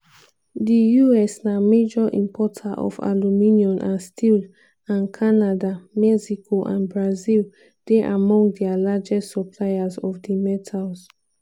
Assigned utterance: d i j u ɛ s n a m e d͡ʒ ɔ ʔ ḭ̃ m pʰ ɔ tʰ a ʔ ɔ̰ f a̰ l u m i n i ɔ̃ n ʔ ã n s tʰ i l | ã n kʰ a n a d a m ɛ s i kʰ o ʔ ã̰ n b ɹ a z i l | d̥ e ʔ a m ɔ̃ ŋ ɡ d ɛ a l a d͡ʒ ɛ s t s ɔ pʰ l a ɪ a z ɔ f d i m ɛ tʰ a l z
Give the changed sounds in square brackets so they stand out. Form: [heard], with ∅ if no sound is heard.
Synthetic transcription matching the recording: d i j u ɛ s n a m e d͡ʒ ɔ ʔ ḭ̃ m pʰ ɔ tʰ a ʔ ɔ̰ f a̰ l u m i n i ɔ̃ n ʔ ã n s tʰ i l | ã n kʰ a n a d a m ɛ s i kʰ o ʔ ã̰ n b ɹ a z i l | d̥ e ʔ a m ɔ̃ ŋ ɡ d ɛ a l a d͡ʒ ɛ s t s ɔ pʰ l a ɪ a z ɔ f d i m ɛ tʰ a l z